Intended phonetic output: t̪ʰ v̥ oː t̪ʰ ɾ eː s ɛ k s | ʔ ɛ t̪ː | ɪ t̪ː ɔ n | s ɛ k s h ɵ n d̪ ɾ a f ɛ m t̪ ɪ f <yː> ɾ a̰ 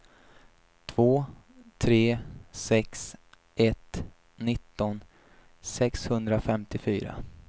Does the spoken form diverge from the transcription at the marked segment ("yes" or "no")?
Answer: no